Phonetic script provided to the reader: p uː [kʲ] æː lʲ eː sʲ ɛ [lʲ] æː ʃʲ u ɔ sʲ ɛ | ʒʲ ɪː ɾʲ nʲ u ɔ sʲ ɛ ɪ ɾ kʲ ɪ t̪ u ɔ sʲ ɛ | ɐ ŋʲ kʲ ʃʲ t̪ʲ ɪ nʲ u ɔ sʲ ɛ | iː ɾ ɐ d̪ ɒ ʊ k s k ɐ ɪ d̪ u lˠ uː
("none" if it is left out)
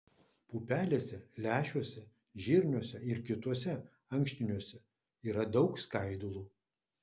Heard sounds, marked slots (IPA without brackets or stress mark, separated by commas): pʲ, lʲ